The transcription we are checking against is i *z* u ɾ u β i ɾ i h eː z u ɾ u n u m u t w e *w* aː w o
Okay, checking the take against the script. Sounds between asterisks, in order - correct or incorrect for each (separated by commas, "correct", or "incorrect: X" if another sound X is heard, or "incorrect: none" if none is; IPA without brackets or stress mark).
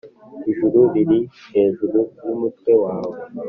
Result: incorrect: ʒ, correct